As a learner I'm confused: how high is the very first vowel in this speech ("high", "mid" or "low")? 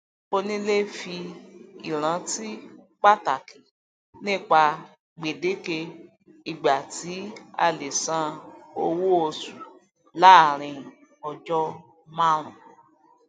mid